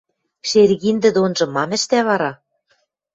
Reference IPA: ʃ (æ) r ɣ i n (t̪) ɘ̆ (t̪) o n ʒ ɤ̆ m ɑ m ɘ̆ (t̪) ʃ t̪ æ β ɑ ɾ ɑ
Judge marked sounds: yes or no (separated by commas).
no, no, no, no